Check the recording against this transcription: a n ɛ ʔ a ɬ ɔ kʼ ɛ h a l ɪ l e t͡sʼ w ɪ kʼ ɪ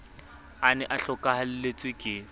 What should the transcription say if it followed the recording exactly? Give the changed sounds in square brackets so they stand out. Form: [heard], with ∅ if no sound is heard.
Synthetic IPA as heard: a n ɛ ʔ a ɬ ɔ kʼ [a] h a l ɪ l e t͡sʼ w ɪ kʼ ɪ